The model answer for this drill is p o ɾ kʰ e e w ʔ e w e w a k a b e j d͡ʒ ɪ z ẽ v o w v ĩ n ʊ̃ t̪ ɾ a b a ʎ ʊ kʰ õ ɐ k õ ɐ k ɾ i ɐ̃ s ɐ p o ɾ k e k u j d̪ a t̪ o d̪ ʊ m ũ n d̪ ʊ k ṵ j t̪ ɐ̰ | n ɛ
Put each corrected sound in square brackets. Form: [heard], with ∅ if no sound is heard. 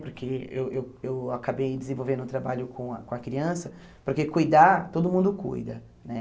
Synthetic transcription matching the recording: p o ɾ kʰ e e w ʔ e w e w a k a b e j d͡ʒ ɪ z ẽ v o w v [ẽ] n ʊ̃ t̪ ɾ a b a ʎ ʊ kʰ õ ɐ k õ ɐ k ɾ i ɐ̃ s ɐ p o ɾ k e k u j d̪ a t̪ o d̪ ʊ m ũ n d̪ ʊ k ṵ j [d̪] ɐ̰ | n ɛ